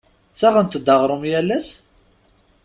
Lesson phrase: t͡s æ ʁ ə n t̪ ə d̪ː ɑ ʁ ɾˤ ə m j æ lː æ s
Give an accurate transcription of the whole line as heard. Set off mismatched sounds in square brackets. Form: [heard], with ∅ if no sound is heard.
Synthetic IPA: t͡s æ ʁ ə n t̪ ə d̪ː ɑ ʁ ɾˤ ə m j æ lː æ s